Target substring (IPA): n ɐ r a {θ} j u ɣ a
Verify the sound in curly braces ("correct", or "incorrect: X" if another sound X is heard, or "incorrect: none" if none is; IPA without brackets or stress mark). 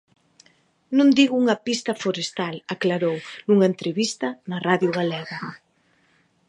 incorrect: ð